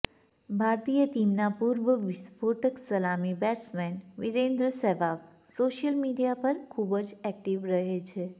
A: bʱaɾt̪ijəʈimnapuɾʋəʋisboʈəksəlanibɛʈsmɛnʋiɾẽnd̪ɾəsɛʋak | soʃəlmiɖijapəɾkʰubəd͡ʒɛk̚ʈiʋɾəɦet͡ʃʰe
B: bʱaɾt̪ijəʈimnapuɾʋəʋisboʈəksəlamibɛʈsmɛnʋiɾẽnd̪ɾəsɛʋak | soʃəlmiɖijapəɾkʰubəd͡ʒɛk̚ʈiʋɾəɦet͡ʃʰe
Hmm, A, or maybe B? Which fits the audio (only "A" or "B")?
B